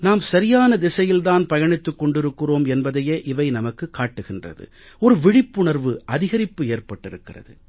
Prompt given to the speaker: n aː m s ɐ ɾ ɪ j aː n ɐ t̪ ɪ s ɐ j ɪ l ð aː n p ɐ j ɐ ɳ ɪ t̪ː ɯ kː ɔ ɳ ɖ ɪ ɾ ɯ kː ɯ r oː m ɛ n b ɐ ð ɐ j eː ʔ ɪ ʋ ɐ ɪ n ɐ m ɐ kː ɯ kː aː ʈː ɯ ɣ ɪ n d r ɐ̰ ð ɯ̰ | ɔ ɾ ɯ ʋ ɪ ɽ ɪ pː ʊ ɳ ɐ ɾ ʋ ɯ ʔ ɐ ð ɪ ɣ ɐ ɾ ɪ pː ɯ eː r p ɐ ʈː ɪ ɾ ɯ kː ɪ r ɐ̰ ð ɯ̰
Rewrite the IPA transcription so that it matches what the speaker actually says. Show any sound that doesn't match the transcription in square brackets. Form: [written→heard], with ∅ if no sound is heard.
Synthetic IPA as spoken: n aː m s ɐ ɾ ɪ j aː n ɐ [t̪→d̪] ɪ s ɐ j ɪ l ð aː n p ɐ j ɐ ɳ ɪ t̪ː ɯ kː ɔ ɳ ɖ ɪ ɾ ɯ kː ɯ r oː m ɛ n b ɐ ð ɐ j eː ʔ ɪ ʋ ɐ ɪ n ɐ m ɐ kː ɯ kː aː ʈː ɯ ɣ ɪ n d r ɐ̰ ð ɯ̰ | ɔ ɾ ɯ ʋ ɪ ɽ ɪ pː ʊ ɳ ɐ ɾ ʋ ɯ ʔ ɐ ð ɪ ɣ ɐ ɾ ɪ pː ɯ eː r p ɐ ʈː ɪ ɾ ɯ kː ɪ r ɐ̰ ð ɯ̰